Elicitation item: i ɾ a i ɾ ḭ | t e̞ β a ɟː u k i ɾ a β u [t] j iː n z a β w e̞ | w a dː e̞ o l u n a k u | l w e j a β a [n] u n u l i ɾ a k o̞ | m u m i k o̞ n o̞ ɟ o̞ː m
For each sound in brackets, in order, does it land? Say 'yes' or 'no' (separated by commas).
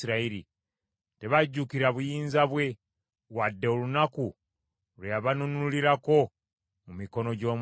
no, yes